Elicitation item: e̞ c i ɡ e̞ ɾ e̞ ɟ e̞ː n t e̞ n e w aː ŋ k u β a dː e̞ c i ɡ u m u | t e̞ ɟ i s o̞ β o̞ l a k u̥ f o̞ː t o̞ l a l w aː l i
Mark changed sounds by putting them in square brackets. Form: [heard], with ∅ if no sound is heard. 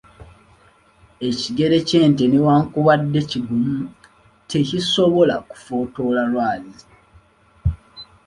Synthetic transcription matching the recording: e̞ c i ɡ e̞ ɾ e̞ [c] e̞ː n t e̞ n e w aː ŋ k u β a dː e̞ c i ɡ u m u | t e̞ [c] i s o̞ β o̞ l a k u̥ f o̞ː t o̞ l a l w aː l i